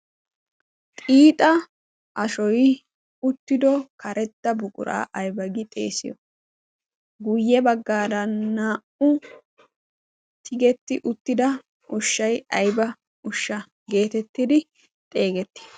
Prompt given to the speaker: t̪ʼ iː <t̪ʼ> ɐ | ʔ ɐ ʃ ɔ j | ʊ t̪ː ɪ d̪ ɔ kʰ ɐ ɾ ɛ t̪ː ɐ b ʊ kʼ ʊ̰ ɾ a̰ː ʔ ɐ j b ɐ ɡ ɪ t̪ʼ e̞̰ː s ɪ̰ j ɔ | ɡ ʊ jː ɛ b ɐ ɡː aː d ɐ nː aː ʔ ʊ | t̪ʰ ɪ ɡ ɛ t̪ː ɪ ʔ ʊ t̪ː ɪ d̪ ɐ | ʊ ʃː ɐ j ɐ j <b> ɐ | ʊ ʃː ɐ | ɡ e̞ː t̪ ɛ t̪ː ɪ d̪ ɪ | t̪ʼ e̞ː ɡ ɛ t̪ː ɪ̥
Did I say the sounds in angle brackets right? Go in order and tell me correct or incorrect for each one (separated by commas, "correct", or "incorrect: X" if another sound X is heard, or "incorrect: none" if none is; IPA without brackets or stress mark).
correct, correct